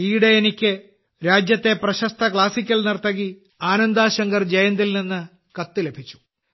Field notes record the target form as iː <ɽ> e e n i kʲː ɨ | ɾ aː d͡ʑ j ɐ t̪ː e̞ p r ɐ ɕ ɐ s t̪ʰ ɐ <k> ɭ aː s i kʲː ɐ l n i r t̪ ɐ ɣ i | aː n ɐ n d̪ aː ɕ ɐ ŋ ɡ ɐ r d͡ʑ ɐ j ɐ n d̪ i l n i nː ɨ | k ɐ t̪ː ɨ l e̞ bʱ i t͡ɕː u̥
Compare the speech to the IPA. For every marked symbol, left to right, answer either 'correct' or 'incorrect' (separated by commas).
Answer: correct, correct